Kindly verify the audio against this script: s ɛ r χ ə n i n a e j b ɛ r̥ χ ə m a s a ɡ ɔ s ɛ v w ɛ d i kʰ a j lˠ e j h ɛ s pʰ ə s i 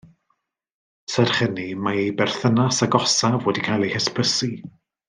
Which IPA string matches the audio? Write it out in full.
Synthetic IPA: s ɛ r χ ə n i m a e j b ɛ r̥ θ ə n a s a ɡ ɔ s a v w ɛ d i kʰ a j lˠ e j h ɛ s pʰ ə s i